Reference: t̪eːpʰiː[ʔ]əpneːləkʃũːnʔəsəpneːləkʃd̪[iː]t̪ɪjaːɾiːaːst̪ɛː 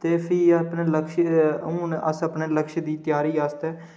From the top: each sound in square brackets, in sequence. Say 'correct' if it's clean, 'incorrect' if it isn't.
incorrect: none, correct

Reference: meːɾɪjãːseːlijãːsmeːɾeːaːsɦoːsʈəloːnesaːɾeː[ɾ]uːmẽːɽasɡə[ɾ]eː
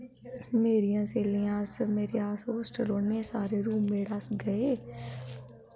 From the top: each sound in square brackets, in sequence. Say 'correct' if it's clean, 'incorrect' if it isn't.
correct, incorrect: none

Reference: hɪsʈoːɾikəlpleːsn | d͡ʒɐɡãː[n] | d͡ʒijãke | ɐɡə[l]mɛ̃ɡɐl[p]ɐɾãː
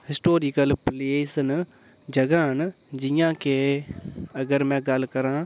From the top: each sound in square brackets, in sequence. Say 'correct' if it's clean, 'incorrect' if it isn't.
correct, incorrect: ɾ, incorrect: k

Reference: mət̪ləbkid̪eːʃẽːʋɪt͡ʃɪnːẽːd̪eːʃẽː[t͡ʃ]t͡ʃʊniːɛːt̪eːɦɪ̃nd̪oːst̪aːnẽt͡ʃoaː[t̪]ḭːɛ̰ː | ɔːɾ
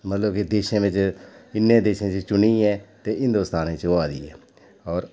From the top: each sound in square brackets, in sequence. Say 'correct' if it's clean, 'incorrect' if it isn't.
correct, incorrect: d̪

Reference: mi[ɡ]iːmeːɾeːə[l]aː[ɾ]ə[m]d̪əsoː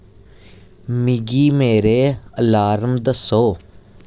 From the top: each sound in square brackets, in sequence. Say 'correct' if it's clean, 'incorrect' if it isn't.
correct, correct, correct, correct

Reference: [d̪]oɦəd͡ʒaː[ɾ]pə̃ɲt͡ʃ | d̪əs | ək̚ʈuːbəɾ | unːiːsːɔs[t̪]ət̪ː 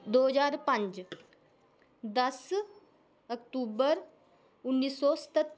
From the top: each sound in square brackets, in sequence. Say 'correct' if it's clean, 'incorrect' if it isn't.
correct, correct, correct

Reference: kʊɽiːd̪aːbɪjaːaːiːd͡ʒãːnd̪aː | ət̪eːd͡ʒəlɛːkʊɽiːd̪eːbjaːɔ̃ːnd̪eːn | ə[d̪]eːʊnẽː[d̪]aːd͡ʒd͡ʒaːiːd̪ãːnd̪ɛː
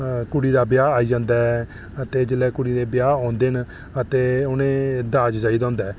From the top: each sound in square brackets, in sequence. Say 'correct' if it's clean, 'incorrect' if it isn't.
incorrect: t̪, correct

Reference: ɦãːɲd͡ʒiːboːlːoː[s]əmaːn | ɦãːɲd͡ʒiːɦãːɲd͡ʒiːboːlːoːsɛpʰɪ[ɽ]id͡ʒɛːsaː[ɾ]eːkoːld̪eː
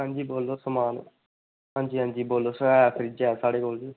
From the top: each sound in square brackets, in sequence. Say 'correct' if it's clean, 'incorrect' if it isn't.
correct, incorrect: ɾ, incorrect: ɽ

